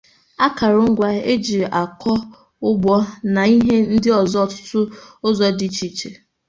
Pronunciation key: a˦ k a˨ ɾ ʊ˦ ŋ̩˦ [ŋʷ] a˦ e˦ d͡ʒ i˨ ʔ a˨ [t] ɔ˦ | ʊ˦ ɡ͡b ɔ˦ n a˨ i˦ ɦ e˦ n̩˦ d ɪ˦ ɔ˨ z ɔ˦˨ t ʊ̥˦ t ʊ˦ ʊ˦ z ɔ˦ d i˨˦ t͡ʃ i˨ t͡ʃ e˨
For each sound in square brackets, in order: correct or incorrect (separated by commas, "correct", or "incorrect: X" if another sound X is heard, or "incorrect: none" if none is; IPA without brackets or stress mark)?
incorrect: ɡʷ, incorrect: k